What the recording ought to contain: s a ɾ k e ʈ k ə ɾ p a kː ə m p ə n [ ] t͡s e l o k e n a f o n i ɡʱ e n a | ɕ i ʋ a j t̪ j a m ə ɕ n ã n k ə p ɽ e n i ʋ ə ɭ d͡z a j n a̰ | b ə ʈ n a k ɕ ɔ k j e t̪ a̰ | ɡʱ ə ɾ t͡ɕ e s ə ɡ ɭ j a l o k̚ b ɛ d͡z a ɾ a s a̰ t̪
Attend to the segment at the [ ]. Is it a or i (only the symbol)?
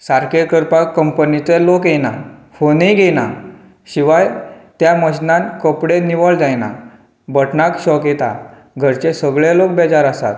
i